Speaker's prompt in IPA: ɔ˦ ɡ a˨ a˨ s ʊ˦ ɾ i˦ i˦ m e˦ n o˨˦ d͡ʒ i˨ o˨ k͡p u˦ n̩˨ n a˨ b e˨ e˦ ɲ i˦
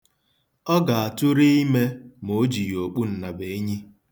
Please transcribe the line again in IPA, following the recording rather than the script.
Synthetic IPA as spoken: ɔ˦ ɡ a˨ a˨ t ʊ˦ ɾ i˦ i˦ m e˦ m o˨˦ d͡ʒ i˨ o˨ k͡p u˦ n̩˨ n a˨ b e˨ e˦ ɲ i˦